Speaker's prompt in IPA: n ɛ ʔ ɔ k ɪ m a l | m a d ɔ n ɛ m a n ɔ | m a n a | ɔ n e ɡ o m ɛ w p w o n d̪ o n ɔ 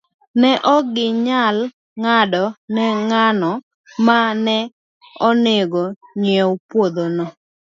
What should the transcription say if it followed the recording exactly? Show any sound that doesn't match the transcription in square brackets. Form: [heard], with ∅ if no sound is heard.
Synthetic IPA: n ɛ ʔ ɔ [ɡ] ɪ [ɲ] a l | [ŋ] a d ɔ n ɛ [ŋ] a n ɔ | m a n [ɛ] | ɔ n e ɡ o [ɲ] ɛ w p w o [∅] d̪ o n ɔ

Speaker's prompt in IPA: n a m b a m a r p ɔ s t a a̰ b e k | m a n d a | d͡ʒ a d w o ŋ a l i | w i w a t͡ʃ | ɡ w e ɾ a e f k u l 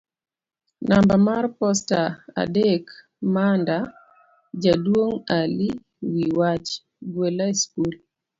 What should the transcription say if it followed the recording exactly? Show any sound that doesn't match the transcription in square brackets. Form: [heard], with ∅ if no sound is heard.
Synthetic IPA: n a m b a m a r p ɔ s t a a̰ [d] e k | m a n d a | d͡ʒ a d w o ŋ a l i | w i w a t͡ʃ | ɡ w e [l] a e [s] k u l

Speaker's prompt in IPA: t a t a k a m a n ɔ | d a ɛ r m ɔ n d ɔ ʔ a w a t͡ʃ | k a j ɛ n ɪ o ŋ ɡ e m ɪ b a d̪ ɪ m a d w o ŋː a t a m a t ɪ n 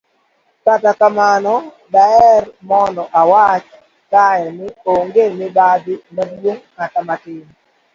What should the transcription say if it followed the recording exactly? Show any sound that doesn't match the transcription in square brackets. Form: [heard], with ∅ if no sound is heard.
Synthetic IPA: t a t a k a m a n ɔ | d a ɛ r m ɔ n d ɔ ʔ a w a t͡ʃ | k a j ɛ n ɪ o ŋ ɡ e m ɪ b a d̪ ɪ m a d w o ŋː a t a m a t ɪ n

